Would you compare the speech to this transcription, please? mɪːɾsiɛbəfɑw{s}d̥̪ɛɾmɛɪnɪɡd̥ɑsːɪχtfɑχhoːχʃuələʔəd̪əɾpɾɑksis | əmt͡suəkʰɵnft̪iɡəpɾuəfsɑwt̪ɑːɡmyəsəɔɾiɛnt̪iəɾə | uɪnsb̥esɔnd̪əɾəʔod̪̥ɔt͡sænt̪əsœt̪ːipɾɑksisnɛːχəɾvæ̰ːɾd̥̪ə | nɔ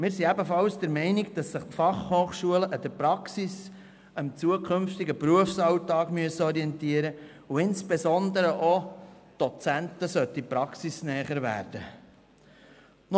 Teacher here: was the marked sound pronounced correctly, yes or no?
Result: yes